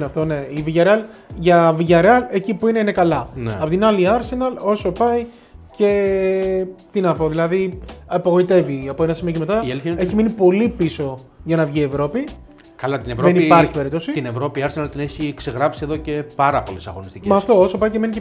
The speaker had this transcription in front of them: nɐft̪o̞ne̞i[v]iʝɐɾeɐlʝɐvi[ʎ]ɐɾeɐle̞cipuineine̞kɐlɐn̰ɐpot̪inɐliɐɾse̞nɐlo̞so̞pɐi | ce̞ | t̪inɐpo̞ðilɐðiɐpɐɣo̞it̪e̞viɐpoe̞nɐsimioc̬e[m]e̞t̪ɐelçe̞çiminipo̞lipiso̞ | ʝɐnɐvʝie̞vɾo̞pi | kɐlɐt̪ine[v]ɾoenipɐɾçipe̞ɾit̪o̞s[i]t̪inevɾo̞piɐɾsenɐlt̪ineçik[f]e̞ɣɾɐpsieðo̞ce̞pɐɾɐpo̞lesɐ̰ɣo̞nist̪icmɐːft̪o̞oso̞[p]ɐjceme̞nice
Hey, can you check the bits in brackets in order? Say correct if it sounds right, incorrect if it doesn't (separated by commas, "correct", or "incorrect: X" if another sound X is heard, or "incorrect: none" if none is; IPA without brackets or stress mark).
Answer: correct, incorrect: ʝ, correct, correct, correct, incorrect: s, correct